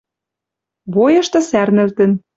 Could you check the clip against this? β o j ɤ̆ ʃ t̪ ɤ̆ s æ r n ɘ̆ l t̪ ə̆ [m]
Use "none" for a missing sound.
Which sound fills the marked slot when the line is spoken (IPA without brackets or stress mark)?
n